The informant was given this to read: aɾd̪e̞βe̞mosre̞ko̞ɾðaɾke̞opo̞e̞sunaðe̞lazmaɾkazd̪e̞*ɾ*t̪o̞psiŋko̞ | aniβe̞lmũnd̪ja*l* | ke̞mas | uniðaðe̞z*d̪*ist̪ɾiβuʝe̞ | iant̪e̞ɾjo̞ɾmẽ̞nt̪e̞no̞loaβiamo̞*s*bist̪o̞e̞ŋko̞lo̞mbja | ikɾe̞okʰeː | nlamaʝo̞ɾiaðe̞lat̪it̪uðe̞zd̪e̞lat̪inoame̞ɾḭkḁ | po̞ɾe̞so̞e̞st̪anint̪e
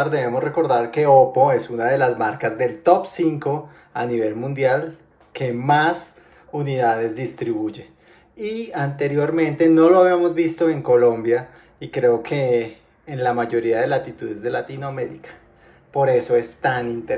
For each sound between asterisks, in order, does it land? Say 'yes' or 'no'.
no, yes, yes, no

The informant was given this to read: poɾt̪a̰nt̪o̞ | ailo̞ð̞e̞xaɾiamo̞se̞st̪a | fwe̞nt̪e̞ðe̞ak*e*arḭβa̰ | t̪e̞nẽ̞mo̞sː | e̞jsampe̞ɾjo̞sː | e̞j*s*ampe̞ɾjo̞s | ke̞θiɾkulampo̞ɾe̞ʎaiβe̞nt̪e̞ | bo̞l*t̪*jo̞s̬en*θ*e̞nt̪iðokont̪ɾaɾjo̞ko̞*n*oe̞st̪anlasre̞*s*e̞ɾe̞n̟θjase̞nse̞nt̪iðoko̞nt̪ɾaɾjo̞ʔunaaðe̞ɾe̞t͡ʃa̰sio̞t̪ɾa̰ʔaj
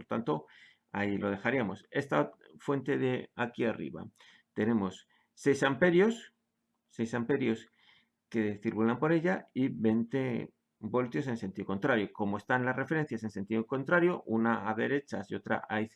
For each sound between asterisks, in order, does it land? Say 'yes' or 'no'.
no, yes, yes, no, no, no

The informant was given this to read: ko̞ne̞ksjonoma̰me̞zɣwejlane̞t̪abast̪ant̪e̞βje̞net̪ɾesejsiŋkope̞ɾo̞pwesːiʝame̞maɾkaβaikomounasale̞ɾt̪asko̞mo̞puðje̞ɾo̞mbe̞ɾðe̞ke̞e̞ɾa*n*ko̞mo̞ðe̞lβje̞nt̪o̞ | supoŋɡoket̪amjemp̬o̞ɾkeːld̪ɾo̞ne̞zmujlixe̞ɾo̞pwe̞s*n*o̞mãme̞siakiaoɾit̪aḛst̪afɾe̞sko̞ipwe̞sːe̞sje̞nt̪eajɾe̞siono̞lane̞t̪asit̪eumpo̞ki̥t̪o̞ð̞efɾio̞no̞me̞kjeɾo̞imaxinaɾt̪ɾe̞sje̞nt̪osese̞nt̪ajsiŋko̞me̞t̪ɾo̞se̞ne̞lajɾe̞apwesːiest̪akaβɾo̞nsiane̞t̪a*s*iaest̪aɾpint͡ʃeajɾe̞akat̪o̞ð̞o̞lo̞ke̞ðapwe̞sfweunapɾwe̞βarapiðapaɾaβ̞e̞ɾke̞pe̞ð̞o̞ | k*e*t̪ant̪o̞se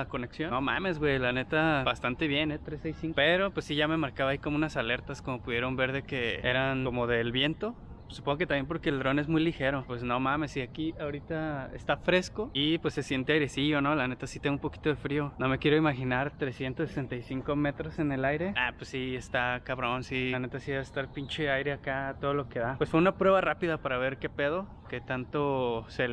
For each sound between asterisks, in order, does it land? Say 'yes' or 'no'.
yes, yes, yes, yes

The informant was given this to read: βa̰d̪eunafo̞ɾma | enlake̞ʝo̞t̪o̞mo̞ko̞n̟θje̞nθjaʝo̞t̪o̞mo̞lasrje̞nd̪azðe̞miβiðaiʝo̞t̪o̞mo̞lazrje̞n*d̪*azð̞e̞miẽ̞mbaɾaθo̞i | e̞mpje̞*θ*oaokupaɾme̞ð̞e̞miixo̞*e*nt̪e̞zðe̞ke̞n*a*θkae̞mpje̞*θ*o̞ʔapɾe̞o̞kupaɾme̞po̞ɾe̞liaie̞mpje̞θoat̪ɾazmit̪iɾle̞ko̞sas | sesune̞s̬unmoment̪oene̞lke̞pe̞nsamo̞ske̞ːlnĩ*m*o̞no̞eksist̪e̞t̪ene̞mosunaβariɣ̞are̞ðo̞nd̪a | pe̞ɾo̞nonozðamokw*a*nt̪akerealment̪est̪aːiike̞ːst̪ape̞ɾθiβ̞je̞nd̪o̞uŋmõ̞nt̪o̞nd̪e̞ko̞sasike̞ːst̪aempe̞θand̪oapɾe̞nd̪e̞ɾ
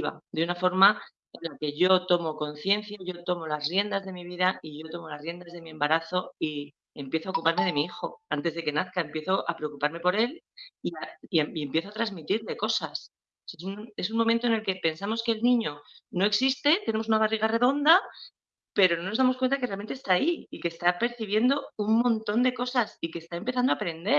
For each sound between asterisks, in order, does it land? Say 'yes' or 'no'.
yes, yes, no, yes, yes, no, no

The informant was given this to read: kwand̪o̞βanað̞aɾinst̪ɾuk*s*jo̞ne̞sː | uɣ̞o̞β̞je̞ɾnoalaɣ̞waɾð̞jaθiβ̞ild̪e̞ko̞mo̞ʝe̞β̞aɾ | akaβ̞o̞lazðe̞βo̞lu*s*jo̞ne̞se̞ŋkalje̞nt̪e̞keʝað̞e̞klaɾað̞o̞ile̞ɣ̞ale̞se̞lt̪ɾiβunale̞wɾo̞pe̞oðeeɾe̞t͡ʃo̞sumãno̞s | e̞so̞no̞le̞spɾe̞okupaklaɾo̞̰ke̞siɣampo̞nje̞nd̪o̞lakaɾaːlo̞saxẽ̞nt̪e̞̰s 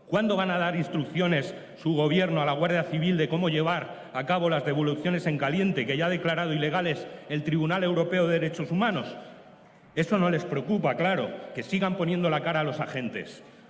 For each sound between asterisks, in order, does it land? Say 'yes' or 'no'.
no, no

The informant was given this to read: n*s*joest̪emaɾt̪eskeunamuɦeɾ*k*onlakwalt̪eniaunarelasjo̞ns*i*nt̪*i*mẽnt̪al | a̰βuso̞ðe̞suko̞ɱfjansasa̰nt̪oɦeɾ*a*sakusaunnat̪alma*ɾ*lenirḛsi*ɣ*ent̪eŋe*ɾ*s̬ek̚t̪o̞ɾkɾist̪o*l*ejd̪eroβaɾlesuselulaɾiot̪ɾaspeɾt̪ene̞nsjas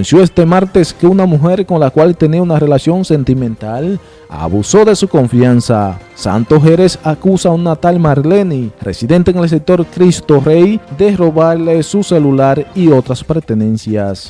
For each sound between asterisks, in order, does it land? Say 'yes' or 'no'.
yes, yes, no, yes, no, yes, no, no, no

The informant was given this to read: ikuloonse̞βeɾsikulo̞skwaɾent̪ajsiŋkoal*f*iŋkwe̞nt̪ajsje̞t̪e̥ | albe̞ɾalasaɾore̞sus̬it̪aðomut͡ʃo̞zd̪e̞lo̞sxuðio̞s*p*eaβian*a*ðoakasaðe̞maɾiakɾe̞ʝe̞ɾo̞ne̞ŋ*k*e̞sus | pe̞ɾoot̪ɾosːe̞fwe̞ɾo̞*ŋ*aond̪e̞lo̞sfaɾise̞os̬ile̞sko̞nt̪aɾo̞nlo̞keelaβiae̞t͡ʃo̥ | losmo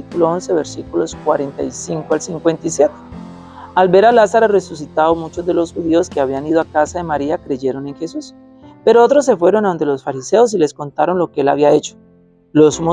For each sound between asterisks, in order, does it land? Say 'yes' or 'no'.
no, no, no, no, no

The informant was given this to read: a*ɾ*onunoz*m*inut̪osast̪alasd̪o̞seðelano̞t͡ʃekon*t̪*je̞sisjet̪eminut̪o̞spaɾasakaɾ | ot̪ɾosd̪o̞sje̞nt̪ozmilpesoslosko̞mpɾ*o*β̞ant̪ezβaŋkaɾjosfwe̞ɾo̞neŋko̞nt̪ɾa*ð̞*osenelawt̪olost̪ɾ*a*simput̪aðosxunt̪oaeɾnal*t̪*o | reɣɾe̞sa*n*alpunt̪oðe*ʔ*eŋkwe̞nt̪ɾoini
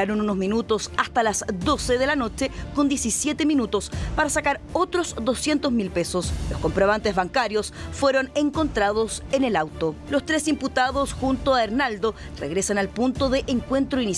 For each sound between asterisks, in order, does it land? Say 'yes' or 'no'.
yes, yes, no, yes, yes, no, no, yes, yes

